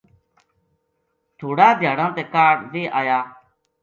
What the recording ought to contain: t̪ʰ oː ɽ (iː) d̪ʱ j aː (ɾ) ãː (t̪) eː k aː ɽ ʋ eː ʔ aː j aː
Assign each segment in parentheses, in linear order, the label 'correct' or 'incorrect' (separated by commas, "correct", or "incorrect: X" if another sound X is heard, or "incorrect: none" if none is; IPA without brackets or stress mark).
incorrect: aː, incorrect: ɽ, correct